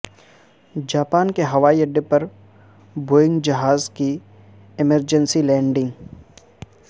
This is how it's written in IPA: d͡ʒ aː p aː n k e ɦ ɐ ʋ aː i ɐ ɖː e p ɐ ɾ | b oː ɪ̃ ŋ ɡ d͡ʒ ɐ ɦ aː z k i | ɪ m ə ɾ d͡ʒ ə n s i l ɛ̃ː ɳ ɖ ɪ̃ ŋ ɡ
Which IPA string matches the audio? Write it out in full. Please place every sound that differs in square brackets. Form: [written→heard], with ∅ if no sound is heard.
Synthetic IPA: d͡ʒ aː p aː n k e ɦ ɐ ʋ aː i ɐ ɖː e p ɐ ɾ | b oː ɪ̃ ŋ ɡ d͡ʒ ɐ ɦ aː z k i | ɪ m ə ɾ d͡ʒ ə n s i l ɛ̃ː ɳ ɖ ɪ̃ ŋ ɡ